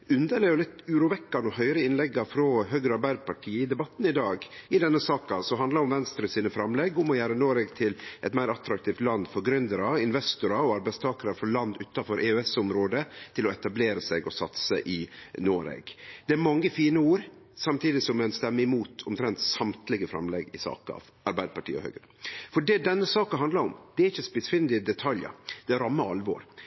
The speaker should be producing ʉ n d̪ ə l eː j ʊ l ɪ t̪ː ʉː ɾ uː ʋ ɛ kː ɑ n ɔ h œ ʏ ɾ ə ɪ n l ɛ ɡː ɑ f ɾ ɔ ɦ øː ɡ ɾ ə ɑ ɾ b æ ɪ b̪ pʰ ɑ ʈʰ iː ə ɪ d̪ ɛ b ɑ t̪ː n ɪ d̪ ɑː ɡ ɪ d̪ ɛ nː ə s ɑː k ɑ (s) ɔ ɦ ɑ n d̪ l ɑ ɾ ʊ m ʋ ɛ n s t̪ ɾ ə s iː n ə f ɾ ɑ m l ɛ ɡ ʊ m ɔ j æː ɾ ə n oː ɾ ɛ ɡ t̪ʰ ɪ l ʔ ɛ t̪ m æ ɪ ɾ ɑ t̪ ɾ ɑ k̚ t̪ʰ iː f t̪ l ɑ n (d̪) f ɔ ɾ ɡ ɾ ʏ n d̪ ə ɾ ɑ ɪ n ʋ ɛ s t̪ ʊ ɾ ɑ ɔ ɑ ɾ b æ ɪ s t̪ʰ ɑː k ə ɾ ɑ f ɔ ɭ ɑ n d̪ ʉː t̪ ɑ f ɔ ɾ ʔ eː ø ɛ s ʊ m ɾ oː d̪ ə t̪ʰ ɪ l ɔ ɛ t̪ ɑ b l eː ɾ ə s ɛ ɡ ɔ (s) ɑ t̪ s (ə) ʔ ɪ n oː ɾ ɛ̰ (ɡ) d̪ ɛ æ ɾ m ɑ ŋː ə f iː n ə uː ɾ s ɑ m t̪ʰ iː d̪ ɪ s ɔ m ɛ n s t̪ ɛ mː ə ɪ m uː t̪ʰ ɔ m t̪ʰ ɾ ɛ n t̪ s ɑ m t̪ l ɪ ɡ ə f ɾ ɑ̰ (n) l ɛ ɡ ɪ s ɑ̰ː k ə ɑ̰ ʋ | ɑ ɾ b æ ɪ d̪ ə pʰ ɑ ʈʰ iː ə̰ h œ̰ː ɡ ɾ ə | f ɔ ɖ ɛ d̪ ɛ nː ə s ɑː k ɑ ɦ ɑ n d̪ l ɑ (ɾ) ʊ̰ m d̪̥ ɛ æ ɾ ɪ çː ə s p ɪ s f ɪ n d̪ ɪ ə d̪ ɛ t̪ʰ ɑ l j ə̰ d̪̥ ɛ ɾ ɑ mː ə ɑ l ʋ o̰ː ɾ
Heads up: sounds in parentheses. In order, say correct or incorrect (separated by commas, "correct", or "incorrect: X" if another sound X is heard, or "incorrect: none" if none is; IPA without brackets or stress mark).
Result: correct, correct, correct, correct, correct, incorrect: m, correct